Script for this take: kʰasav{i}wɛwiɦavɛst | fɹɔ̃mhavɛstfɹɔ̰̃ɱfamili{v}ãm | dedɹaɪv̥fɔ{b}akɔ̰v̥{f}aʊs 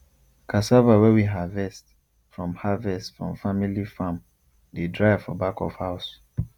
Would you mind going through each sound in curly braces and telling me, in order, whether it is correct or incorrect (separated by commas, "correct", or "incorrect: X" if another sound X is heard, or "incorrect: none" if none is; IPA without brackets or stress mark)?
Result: incorrect: a, incorrect: f, correct, incorrect: h